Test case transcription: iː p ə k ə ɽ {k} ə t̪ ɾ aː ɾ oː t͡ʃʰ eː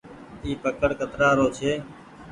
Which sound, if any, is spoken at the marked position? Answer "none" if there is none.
k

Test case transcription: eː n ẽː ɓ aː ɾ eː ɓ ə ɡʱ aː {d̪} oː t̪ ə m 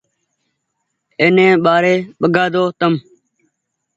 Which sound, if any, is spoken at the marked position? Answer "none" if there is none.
d̪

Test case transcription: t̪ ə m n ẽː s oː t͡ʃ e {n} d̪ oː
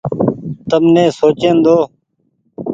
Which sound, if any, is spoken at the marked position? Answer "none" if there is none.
n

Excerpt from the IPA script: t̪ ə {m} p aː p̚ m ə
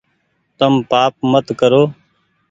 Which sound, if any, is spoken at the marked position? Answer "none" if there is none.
m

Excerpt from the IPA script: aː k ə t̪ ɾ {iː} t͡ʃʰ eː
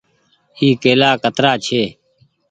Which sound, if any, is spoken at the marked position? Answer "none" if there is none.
aː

